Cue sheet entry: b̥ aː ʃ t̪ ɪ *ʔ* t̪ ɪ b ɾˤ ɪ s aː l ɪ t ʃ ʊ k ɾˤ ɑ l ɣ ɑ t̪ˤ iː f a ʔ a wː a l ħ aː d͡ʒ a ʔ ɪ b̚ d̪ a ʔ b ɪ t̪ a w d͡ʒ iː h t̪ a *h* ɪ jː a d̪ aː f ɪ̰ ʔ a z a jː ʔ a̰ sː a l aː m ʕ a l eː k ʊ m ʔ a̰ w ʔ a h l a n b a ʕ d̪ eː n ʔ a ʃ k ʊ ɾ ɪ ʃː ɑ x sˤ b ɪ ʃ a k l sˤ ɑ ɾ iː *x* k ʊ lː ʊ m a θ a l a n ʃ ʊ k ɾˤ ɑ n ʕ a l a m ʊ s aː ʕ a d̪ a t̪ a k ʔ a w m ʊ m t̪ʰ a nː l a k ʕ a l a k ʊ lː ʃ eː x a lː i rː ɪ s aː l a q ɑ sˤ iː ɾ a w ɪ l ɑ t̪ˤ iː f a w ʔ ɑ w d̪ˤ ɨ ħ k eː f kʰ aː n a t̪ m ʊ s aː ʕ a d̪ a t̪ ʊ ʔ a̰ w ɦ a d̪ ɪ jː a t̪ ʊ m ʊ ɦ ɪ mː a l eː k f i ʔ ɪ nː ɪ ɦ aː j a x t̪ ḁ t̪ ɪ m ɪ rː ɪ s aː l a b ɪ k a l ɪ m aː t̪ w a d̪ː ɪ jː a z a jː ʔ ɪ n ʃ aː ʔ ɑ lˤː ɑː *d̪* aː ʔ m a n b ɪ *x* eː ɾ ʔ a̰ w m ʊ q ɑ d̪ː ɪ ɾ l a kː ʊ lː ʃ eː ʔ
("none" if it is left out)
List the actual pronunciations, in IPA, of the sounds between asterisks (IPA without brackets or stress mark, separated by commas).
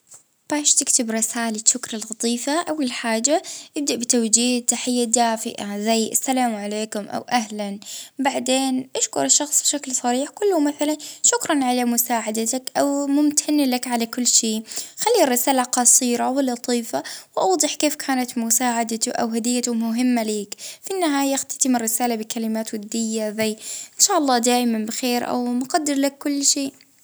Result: k, ħ, ħ, d̪, x